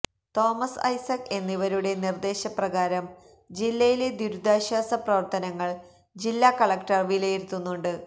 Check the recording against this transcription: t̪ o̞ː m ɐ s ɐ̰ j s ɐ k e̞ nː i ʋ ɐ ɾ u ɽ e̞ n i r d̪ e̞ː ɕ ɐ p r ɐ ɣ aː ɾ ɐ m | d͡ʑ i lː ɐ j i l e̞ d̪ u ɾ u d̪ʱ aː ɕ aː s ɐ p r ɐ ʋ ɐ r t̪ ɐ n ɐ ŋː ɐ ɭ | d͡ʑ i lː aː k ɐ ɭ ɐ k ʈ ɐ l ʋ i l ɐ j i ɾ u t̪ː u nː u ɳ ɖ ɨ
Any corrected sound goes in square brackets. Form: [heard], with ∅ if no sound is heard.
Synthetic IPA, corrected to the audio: t̪ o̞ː m ɐ s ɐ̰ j s ɐ k e̞ nː i ʋ ɐ ɾ u ɽ e̞ n i r d̪ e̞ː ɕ ɐ p r ɐ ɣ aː ɾ ɐ m | d͡ʑ i lː ɐ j i l e̞ d̪ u ɾ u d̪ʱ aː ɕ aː s ɐ p r ɐ ʋ ɐ r t̪ ɐ n ɐ ŋː ɐ ɭ | d͡ʑ i lː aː k ɐ ɭ ɐ k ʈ ɐ [r] ʋ i l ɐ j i ɾ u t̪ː u nː u ɳ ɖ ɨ